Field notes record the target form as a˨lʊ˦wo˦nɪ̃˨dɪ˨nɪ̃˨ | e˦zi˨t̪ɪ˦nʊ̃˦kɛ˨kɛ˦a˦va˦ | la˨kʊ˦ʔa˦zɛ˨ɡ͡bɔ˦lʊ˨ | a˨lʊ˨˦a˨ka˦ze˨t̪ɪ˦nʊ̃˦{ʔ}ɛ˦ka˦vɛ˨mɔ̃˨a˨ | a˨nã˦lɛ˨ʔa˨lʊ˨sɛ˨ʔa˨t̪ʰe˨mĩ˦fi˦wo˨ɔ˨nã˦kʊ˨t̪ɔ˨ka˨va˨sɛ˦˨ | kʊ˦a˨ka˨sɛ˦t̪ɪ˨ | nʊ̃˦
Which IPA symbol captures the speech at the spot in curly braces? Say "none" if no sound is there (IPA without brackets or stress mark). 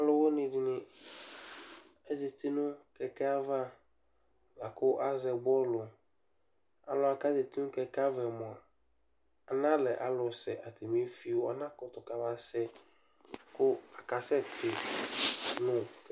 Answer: k